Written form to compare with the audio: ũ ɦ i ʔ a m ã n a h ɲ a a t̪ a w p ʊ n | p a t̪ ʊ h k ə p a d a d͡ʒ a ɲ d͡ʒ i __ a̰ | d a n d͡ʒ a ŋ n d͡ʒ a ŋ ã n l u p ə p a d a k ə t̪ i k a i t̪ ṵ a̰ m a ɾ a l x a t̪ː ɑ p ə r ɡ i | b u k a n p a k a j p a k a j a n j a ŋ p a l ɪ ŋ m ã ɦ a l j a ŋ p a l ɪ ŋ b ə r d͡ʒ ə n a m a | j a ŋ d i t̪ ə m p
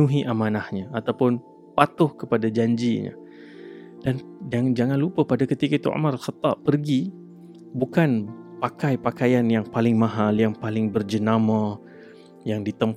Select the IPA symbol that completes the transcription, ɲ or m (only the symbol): ɲ